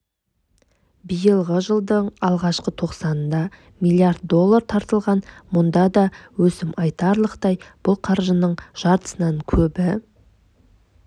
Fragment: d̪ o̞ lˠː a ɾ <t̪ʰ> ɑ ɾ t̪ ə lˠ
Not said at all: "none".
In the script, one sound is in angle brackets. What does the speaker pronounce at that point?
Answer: t̪ʰ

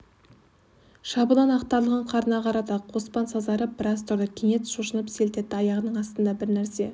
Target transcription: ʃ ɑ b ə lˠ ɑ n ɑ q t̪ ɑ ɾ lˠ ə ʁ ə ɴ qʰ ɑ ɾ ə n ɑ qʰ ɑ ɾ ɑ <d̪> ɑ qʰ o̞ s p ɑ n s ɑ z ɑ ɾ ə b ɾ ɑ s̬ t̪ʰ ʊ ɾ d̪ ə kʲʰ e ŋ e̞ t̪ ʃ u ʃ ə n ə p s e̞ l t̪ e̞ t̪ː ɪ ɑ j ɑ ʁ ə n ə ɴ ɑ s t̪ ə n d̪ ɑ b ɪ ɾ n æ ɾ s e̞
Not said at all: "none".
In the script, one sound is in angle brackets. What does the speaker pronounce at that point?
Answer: t̪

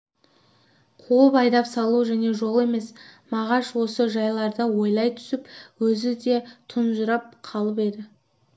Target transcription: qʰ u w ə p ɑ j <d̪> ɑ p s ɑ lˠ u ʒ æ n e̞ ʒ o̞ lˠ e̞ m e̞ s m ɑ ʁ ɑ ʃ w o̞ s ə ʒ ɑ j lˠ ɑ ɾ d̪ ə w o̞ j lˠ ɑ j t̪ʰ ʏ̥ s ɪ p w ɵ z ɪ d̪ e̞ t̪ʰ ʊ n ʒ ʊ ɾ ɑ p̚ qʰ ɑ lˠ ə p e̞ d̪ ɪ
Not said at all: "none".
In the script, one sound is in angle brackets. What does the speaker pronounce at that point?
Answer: d̪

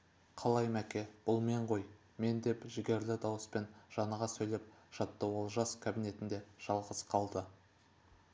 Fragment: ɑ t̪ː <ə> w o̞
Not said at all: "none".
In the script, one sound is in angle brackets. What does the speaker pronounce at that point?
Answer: ə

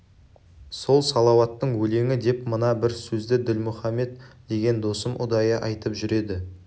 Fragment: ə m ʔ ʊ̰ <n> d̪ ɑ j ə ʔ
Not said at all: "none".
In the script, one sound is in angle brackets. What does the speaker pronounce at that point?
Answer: none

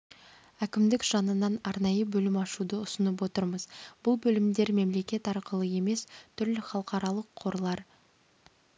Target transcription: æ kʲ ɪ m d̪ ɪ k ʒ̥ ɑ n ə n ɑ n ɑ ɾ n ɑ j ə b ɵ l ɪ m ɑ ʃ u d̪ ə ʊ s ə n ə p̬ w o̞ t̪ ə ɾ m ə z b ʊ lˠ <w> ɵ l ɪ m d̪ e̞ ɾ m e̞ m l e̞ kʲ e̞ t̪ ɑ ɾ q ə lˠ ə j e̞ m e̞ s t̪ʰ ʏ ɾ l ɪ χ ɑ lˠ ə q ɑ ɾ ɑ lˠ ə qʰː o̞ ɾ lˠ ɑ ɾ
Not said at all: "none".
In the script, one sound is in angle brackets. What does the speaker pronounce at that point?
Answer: b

